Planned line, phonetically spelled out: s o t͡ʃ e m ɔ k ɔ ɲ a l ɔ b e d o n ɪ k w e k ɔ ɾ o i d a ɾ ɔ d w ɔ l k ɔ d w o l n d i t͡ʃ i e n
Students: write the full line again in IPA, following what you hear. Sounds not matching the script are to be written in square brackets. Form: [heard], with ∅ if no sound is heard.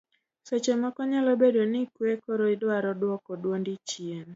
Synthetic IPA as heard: s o t͡ʃ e m ɔ k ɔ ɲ a l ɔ b e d o n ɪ k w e k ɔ ɾ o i d a ɾ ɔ d w ɔ [∅] k ɔ d w o [∅] n d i t͡ʃ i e n